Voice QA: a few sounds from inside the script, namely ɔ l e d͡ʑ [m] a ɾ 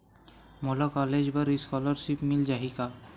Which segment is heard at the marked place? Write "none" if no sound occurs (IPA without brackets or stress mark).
b